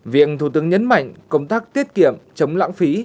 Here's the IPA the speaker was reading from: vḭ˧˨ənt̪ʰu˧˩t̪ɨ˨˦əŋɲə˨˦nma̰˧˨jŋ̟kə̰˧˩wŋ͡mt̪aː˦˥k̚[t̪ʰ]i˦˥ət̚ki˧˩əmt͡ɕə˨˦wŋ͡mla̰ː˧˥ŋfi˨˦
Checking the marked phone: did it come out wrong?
yes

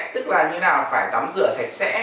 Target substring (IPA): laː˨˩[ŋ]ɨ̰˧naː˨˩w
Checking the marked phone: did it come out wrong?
yes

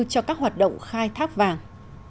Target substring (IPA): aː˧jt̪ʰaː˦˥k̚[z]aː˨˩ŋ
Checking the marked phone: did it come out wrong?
yes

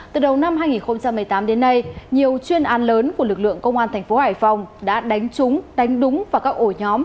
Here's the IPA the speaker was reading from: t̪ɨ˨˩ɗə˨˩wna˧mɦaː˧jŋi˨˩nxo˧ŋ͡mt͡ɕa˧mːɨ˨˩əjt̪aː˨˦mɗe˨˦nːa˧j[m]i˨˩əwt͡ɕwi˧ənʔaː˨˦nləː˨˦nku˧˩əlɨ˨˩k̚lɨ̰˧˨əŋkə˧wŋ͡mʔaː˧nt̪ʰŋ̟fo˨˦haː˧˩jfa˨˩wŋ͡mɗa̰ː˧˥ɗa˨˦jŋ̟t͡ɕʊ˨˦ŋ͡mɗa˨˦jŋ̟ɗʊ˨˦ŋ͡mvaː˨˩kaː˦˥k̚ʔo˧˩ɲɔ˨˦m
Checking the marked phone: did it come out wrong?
yes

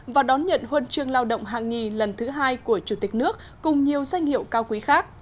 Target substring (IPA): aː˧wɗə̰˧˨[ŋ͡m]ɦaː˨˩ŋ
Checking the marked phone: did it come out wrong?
no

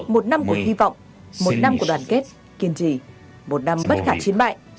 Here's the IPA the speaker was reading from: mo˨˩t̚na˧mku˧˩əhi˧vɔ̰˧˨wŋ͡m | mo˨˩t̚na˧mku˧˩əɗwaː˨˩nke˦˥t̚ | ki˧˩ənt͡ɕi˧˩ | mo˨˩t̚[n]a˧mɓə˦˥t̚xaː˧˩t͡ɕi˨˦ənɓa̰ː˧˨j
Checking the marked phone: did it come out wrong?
no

